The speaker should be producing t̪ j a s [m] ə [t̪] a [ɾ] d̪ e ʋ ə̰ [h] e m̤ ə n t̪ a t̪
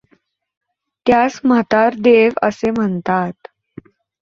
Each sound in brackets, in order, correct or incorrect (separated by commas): correct, correct, correct, incorrect